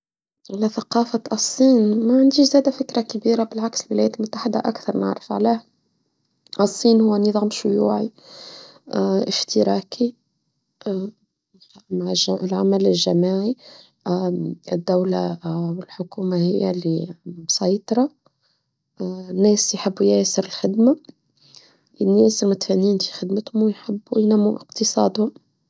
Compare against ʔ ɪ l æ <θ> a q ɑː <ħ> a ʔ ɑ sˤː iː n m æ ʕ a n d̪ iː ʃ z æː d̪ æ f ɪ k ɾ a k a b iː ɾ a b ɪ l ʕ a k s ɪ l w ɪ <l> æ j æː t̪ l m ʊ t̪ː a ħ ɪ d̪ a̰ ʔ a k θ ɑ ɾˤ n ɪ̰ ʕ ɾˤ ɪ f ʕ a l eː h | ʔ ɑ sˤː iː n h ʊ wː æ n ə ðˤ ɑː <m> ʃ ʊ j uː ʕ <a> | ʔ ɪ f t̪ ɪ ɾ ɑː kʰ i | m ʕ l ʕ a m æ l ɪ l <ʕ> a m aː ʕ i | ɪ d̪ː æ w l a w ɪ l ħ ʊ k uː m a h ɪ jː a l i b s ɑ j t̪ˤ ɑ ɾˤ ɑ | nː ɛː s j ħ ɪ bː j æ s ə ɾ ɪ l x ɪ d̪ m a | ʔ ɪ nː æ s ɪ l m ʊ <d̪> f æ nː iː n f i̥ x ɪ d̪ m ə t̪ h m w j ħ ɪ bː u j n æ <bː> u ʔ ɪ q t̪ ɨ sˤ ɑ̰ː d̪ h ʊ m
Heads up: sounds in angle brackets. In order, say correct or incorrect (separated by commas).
correct, incorrect, correct, correct, incorrect, incorrect, incorrect, incorrect